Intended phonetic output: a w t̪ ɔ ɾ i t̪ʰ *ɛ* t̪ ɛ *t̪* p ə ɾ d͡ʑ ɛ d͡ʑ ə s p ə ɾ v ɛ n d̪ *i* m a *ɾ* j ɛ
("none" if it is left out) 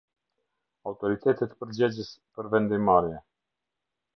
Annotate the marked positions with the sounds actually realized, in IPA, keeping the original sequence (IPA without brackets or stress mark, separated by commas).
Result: ɛ, t̪, i, ɾ